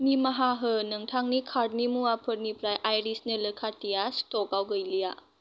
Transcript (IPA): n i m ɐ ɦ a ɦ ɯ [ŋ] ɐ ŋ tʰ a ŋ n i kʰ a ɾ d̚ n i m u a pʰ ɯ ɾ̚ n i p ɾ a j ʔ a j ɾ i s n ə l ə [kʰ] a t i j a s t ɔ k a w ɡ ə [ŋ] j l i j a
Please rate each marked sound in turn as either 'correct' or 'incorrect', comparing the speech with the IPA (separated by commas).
incorrect, correct, incorrect